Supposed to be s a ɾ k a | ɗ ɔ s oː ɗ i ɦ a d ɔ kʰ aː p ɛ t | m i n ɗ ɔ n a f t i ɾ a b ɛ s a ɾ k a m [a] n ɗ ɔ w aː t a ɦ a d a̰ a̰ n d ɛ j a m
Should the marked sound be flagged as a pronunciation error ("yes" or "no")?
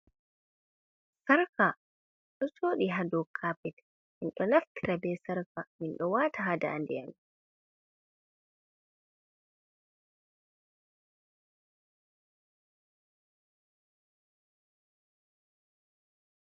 yes